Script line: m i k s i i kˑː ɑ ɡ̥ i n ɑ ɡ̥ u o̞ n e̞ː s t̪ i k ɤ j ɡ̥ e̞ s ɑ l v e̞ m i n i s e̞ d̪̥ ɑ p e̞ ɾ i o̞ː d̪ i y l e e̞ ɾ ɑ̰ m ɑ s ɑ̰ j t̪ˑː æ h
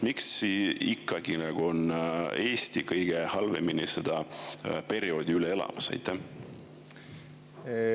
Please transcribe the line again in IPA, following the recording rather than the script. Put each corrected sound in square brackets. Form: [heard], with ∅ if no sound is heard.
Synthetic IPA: m i k s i i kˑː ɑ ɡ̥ i n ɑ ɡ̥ u o̞ n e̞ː s t̪ i k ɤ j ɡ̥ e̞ [h] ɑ l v e̞ m i n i s e̞ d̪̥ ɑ p e̞ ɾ i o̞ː d̪ i y l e e̞ [l] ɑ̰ m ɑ s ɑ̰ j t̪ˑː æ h